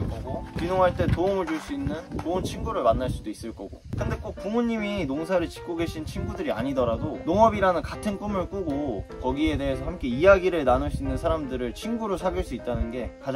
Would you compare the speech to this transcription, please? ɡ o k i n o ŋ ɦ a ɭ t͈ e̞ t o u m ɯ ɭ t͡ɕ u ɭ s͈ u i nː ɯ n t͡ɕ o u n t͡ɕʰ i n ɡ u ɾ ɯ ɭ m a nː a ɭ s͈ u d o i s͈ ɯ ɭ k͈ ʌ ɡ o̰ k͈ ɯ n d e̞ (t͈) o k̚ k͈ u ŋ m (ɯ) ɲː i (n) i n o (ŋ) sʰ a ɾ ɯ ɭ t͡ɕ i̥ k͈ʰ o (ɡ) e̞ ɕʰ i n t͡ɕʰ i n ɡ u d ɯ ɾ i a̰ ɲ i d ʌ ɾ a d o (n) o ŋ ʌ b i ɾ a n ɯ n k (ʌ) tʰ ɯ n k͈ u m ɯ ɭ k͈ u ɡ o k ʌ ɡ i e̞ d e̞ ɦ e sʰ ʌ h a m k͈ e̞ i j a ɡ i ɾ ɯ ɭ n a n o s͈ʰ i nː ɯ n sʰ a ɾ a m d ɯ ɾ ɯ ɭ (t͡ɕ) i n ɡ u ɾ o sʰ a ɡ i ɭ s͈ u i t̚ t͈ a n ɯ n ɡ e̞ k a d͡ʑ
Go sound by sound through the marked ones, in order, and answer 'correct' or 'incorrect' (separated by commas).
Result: incorrect, incorrect, incorrect, correct, correct, correct, incorrect, incorrect